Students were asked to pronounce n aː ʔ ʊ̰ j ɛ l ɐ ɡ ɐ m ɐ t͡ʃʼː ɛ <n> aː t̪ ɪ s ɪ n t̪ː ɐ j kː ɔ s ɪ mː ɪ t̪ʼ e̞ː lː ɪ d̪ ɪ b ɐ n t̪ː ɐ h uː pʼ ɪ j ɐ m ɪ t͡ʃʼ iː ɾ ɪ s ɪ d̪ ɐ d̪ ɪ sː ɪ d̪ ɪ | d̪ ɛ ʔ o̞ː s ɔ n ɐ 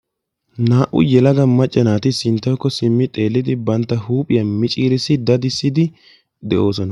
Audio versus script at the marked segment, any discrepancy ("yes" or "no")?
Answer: no